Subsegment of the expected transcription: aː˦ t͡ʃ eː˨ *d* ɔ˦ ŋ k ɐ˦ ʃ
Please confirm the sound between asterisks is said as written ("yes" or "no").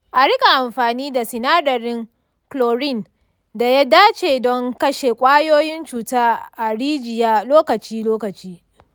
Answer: yes